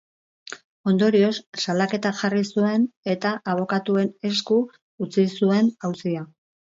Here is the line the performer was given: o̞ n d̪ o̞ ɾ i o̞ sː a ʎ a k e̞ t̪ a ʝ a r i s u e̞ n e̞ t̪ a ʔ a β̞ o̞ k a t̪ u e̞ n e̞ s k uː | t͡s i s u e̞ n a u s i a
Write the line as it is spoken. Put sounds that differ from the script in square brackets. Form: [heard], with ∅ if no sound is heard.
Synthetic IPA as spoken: o̞ n d̪ o̞ ɾ i o̞ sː a [l] a k e̞ t̪ a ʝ a r i s u e̞ n e̞ t̪ a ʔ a β̞ o̞ k a t̪ u e̞ n e̞ s k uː | t͡s i s u e̞ n a [w] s i a